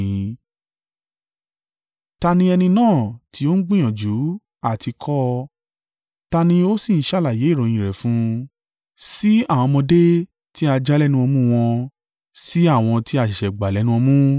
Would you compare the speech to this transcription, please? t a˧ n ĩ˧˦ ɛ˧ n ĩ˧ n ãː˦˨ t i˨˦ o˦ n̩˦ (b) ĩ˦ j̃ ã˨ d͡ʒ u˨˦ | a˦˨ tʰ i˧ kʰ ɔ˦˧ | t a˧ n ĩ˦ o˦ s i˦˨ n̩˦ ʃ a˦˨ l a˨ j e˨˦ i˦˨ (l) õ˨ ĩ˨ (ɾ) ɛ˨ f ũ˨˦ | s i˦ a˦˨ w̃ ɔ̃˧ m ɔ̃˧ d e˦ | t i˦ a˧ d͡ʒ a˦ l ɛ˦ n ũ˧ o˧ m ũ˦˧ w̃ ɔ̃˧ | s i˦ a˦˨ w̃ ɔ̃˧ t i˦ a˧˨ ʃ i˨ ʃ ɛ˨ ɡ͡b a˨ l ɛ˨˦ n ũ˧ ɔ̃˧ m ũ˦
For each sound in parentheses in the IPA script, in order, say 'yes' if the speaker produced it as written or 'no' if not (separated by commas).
no, no, yes